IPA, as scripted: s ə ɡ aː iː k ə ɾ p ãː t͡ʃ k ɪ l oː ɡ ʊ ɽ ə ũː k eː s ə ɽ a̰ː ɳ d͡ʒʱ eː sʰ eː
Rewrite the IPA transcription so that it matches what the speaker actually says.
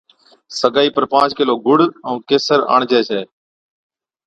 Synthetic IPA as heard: s ə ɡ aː iː p ə ɾ p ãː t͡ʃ k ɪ l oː ɡ ʊ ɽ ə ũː k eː s ə ɾ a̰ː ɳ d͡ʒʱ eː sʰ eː